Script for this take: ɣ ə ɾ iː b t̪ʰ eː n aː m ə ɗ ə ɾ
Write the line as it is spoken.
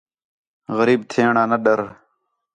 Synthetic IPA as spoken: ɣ ə ɾ iː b t̪ʰ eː ɳ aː n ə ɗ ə ɾ